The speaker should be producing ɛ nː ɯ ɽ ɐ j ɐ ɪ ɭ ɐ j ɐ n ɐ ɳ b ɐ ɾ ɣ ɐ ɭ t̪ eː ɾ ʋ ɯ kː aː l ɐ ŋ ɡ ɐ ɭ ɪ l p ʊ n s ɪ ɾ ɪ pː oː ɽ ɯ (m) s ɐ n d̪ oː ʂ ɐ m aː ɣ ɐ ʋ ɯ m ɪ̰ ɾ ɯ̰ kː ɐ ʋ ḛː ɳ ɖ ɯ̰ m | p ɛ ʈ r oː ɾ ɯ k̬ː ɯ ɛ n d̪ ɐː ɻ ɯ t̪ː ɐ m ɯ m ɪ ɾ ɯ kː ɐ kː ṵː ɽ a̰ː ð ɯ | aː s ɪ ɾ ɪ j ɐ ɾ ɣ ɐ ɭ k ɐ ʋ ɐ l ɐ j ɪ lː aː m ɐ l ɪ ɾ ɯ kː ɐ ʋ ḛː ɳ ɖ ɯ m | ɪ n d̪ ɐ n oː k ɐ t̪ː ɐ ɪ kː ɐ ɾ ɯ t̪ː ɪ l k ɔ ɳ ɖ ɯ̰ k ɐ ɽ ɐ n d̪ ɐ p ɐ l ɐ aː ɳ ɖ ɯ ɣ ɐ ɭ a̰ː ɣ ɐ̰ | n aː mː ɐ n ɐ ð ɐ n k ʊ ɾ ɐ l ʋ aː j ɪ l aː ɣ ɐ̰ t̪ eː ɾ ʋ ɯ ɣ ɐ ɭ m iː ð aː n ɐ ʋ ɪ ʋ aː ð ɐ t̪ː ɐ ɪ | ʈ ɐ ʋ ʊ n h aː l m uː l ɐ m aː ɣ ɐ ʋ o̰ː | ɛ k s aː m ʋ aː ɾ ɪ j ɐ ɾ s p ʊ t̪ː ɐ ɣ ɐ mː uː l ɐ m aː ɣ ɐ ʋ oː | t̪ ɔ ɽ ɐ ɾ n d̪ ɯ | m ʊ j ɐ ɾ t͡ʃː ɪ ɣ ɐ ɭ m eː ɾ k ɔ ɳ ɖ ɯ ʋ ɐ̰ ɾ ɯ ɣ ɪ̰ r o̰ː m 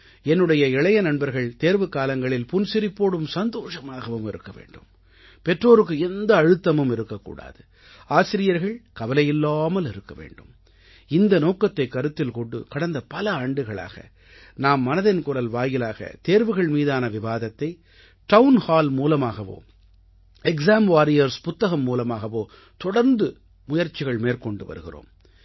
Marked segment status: correct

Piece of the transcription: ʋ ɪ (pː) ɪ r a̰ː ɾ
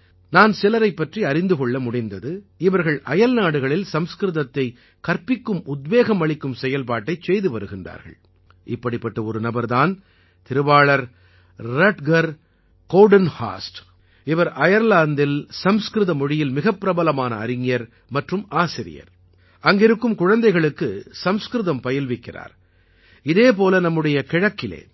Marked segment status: incorrect: kː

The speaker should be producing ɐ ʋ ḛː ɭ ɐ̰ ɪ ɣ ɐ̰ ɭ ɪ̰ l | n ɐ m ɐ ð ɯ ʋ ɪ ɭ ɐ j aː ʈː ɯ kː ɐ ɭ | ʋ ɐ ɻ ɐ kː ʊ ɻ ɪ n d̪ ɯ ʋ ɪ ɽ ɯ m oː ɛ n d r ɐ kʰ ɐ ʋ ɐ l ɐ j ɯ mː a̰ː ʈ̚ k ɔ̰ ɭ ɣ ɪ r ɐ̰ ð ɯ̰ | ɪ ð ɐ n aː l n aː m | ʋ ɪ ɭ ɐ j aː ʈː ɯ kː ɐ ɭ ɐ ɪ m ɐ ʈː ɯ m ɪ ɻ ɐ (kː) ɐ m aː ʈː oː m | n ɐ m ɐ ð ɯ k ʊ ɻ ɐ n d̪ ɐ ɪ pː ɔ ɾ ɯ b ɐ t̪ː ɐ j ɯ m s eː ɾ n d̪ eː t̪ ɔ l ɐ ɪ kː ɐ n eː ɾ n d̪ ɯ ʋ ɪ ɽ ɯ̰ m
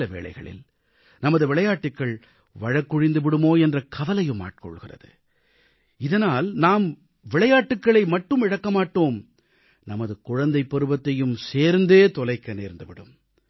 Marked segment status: correct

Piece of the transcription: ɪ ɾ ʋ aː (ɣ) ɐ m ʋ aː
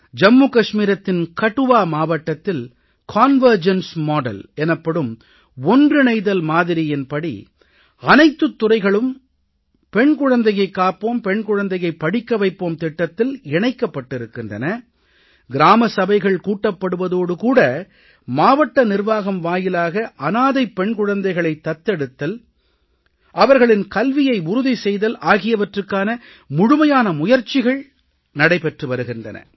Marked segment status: correct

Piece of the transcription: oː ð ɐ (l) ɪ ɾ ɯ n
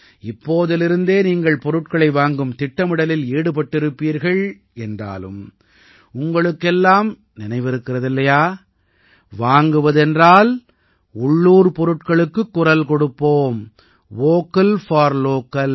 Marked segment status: correct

